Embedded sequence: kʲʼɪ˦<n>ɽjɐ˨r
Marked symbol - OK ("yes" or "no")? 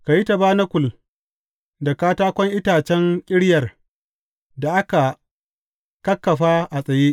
no